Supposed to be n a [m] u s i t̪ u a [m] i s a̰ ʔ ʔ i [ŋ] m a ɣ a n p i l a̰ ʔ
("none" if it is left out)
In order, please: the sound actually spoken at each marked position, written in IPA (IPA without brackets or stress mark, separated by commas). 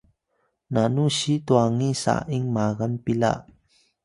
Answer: n, ŋ, ŋ